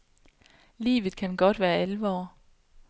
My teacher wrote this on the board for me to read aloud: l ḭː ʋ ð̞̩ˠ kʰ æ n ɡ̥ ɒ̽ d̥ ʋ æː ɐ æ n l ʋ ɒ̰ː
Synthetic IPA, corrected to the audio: l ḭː ʋ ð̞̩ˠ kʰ æ n ɡ̥ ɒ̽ d̥ ʋ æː ɐ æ l ʋ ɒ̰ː